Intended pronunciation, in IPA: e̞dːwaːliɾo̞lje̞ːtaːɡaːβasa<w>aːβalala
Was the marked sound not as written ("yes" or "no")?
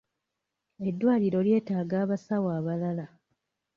no